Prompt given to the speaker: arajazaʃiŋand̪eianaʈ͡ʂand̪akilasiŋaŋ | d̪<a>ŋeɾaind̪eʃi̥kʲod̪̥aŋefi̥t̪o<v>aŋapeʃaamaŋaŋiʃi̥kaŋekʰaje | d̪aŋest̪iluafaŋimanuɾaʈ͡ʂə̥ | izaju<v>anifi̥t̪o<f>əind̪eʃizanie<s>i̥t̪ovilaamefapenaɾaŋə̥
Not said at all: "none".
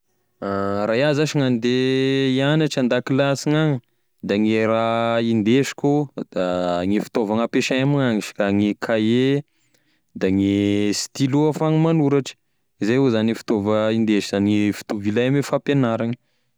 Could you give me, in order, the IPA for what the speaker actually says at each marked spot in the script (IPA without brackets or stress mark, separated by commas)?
a, v, z, v, f